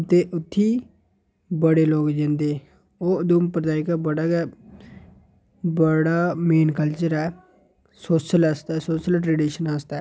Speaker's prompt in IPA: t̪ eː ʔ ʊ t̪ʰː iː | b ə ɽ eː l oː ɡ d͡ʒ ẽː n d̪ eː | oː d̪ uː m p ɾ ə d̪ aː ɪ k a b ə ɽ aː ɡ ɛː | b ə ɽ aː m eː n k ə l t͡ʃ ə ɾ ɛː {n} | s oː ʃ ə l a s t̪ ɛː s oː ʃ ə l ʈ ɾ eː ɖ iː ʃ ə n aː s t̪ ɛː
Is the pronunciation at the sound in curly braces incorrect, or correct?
incorrect